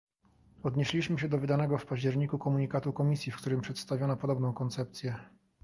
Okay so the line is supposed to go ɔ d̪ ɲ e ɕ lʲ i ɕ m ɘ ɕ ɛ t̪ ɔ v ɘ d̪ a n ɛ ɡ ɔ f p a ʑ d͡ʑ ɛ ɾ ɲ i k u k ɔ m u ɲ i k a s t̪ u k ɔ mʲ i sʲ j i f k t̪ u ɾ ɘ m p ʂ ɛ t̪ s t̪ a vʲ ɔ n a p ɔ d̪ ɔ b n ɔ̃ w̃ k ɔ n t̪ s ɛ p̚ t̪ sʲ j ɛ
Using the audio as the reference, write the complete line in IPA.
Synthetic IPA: ɔ d̪ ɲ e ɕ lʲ i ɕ m ɘ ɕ ɛ d̪ ɔ v ɘ d̪ a n ɛ ɡ ɔ f p a ʑ d͡ʑ ɛ ɾ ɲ i k u k ɔ m u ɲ i k a t̪ u k ɔ mʲ i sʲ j i f k t̪ u ɾ ɘ m p ʂ ɛ t̪ s t̪ a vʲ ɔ n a p ɔ d̪ ɔ b n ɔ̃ w̃ k ɔ n t̪ s ɛ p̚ t̪ sʲ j ɛ